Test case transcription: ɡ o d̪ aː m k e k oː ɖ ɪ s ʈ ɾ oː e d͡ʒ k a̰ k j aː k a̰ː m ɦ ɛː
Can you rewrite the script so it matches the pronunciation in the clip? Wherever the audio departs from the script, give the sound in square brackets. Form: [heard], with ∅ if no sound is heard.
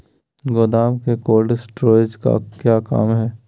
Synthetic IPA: ɡ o d̪ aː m k e k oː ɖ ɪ s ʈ ɾ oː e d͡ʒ k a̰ k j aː k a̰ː m ɦ ɛː